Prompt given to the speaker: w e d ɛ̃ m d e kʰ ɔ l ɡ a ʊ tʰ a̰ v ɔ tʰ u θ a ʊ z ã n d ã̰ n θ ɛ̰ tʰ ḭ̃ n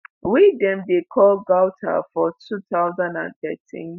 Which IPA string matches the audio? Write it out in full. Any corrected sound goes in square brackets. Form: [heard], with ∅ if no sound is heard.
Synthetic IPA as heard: w [i] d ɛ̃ m d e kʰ ɔ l ɡ a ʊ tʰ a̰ [f] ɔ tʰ u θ a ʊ z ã n d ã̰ n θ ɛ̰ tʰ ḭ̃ n